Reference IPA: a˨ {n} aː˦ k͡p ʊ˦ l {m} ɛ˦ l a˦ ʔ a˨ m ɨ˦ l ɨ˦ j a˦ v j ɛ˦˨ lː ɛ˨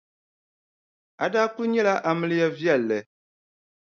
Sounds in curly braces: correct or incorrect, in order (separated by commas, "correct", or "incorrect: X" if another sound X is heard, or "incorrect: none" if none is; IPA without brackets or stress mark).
incorrect: d, incorrect: ɲ